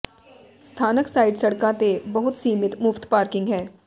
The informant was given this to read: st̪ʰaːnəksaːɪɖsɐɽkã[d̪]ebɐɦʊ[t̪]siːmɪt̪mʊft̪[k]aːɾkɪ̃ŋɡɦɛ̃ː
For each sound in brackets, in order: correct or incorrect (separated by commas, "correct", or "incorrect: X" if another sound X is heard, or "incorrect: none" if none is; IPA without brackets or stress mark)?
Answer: incorrect: t̪, correct, incorrect: p